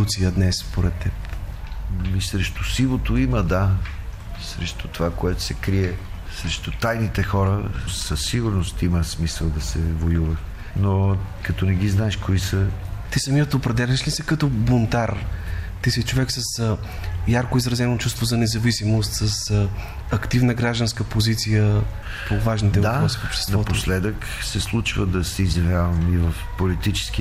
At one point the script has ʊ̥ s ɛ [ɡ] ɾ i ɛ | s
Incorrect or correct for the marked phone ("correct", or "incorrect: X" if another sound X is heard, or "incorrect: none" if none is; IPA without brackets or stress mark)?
incorrect: k